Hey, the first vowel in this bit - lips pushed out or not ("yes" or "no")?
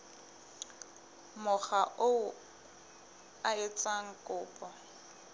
yes